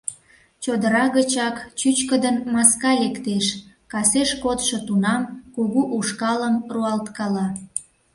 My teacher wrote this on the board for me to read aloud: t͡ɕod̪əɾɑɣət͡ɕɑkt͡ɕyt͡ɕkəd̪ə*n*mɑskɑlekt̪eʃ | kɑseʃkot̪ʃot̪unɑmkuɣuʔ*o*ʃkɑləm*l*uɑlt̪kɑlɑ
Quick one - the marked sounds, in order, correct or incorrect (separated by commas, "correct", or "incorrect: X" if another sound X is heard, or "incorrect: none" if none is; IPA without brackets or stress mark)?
correct, incorrect: u, incorrect: r